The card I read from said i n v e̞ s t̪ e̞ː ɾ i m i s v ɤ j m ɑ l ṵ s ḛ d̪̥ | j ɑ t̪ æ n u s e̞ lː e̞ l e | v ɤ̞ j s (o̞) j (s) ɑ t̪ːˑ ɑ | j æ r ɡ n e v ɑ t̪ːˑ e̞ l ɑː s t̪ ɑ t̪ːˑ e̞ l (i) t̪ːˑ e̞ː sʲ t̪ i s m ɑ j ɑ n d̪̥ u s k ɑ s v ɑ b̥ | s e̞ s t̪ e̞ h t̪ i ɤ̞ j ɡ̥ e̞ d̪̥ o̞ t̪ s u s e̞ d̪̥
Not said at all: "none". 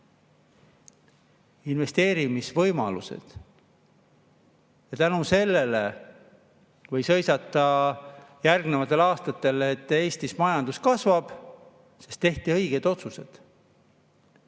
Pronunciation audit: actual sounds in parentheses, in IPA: ɤ̞, s, e

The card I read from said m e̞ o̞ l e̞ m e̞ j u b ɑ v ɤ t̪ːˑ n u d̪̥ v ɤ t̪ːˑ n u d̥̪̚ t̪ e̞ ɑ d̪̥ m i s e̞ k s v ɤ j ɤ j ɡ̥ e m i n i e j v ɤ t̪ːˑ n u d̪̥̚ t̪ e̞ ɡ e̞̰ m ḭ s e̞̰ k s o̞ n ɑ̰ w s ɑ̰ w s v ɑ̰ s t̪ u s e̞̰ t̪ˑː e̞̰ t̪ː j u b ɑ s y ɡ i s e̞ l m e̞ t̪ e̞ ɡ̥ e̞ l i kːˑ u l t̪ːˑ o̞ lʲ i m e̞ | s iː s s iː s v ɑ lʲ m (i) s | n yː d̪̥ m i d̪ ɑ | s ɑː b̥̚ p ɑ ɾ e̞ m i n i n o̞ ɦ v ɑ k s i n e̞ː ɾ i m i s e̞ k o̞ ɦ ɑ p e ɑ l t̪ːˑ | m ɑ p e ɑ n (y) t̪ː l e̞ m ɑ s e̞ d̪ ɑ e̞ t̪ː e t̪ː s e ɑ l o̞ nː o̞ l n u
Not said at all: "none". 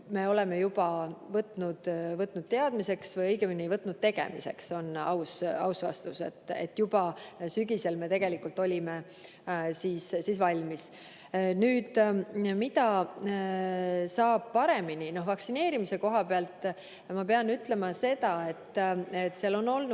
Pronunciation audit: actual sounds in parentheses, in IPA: i, y

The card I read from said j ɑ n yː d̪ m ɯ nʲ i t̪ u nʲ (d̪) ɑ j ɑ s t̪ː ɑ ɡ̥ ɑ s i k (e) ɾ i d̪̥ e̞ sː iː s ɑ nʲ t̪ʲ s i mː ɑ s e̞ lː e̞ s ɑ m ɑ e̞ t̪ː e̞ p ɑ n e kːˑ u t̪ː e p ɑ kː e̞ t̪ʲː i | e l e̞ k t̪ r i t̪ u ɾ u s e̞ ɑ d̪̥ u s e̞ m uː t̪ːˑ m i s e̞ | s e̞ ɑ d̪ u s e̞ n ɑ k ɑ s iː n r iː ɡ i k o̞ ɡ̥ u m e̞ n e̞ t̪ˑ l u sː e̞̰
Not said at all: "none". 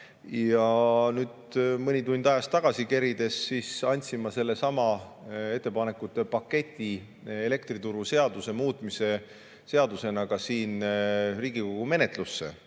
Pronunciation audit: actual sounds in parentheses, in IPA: d̪, e

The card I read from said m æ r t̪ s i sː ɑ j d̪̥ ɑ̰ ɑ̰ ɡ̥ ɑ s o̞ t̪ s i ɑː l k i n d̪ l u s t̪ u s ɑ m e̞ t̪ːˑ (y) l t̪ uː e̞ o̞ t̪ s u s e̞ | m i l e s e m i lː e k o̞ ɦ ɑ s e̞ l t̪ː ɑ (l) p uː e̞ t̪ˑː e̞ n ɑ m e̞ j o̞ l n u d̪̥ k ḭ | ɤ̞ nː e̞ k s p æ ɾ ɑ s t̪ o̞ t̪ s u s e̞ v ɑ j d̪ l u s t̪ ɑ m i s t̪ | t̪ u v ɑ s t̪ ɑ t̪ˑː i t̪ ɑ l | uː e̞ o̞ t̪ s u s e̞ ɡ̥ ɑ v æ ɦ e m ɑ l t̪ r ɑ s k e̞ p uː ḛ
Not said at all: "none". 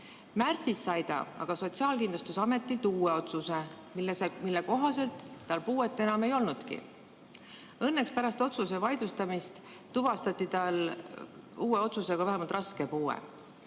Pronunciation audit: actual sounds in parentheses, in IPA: i, l

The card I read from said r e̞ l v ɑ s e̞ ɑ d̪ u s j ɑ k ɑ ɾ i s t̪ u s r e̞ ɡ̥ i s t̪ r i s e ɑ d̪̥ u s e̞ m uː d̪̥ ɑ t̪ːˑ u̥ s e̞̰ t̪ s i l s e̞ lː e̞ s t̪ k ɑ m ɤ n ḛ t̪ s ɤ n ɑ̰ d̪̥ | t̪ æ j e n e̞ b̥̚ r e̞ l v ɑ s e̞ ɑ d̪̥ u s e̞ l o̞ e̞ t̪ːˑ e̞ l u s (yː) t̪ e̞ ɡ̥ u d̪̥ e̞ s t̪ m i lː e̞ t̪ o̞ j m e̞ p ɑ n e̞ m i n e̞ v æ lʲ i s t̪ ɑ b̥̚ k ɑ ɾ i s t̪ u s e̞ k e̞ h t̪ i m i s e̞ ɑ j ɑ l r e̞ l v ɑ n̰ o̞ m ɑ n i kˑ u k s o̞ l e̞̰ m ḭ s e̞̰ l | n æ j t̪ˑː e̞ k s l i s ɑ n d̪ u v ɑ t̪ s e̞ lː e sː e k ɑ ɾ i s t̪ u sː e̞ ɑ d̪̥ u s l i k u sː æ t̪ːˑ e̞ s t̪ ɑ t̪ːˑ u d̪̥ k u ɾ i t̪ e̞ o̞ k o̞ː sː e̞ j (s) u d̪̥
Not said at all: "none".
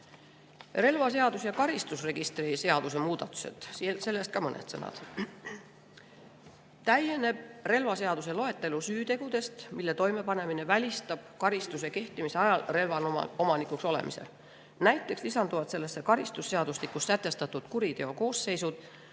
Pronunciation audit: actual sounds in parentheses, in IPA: yː, s

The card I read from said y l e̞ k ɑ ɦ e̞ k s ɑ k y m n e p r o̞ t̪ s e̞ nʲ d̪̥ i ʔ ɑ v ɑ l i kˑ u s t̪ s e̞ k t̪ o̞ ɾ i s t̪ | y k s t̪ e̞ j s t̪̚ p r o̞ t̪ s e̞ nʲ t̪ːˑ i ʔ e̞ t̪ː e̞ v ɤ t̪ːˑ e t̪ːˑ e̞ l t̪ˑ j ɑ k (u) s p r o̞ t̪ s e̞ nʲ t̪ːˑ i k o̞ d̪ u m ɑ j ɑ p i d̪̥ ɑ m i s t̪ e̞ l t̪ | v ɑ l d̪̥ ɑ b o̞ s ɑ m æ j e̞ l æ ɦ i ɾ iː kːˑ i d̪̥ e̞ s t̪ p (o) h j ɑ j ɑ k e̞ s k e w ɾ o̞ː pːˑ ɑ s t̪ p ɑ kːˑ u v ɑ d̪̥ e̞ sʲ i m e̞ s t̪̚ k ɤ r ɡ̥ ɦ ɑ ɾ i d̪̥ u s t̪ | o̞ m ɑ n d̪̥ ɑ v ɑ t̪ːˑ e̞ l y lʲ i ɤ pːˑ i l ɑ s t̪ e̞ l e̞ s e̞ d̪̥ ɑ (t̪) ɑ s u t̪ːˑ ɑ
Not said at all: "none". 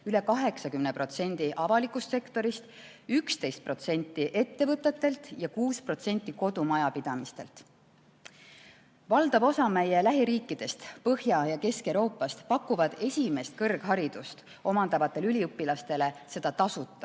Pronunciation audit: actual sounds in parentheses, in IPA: uː, ɤ, t̪

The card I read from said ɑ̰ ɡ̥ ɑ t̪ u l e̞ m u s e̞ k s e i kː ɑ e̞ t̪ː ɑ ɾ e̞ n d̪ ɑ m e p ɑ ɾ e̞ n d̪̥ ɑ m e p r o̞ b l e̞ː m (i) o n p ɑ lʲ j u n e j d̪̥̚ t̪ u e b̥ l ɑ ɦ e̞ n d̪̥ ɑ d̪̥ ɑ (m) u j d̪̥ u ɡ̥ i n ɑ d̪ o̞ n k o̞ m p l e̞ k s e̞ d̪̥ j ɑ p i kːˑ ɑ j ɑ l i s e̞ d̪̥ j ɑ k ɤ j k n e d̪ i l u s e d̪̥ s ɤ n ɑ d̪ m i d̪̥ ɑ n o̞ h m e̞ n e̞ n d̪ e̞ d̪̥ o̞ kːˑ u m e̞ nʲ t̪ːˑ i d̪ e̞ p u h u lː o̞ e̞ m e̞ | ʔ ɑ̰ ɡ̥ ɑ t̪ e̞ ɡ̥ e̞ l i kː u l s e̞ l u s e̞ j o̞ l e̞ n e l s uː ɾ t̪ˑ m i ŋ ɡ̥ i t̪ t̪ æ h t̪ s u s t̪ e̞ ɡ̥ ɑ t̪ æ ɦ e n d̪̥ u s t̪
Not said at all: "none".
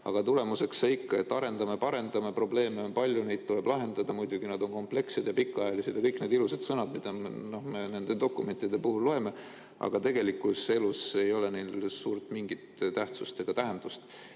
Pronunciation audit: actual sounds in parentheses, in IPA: e, m

